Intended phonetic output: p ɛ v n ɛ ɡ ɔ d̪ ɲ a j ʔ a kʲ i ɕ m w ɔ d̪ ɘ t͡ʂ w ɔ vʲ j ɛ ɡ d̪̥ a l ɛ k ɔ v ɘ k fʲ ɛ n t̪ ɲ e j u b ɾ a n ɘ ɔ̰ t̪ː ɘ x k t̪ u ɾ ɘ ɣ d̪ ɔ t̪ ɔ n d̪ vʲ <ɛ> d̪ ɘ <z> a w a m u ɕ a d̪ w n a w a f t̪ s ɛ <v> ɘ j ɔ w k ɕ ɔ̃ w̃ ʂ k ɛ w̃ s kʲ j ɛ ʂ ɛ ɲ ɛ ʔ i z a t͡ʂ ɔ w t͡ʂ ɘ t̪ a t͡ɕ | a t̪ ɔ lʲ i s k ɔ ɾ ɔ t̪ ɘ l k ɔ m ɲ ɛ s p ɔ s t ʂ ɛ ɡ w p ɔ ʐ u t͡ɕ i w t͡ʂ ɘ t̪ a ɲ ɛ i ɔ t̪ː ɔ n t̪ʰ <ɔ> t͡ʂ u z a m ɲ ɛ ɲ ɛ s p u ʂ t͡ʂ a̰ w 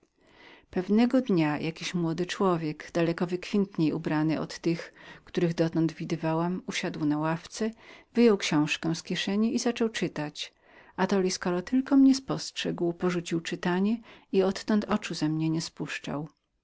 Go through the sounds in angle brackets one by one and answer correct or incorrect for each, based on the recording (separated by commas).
incorrect, incorrect, correct, correct